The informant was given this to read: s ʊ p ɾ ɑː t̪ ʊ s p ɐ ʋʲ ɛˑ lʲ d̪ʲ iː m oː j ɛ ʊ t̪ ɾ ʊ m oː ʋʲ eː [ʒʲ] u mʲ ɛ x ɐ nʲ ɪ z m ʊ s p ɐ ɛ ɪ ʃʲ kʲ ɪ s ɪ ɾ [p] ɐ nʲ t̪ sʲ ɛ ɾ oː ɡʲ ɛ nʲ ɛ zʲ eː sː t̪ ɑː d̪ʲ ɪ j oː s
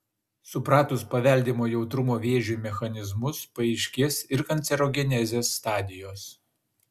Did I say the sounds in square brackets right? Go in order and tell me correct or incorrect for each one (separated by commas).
correct, incorrect